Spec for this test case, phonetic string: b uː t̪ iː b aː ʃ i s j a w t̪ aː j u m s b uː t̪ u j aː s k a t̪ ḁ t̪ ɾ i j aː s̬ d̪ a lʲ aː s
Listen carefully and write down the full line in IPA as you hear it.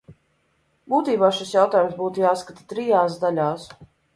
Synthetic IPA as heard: b uː t̪ iː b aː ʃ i s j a w t̪ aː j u m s b uː t̪ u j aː s k a t̪ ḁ t̪ ɾ i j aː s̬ d̪ a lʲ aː s